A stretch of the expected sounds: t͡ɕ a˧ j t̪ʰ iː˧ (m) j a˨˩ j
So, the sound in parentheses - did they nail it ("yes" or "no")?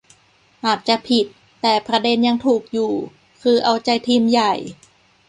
yes